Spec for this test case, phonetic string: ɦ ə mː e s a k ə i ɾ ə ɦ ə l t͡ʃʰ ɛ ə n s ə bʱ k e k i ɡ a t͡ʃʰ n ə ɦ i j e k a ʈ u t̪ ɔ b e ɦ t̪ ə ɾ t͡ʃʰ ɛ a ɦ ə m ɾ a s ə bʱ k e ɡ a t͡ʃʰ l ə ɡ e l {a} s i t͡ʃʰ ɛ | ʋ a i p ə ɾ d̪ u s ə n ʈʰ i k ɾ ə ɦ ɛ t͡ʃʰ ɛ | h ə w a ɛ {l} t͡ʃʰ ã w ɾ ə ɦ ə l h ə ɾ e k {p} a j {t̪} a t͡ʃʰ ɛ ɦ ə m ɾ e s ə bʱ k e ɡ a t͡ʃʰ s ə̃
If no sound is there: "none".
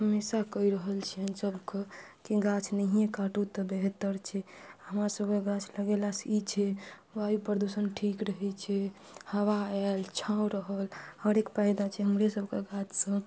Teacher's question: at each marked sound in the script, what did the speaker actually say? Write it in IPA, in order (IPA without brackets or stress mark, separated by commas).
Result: a, l, p, d̪